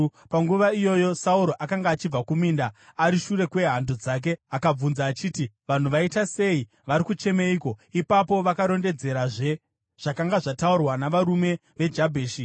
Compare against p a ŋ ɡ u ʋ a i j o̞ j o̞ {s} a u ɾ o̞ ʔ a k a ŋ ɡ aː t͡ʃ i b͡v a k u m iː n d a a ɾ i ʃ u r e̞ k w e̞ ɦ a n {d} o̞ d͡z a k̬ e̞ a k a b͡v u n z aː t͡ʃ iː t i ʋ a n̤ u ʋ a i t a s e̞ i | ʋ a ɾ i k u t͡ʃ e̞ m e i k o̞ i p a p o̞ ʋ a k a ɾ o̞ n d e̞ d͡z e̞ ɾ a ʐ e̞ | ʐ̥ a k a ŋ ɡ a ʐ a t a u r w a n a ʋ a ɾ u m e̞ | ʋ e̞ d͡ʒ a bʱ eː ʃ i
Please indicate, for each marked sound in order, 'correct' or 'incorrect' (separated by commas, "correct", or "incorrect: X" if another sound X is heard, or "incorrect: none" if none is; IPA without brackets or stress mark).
correct, correct